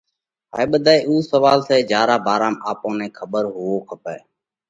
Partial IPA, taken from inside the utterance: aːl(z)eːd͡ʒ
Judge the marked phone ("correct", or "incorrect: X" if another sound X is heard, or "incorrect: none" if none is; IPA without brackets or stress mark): incorrect: s